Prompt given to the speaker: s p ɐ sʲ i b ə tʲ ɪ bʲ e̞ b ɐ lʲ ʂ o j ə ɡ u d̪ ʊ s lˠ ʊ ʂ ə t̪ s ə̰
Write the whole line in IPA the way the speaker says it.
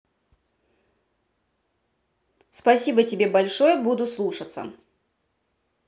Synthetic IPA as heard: s p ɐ sʲ i b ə tʲ ɪ bʲ e̞ b ɐ lʲ ʂ o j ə b u d̪ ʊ s lˠ u ʂ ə t̪ s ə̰